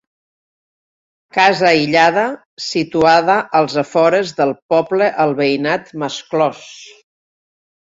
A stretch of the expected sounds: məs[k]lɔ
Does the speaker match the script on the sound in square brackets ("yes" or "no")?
yes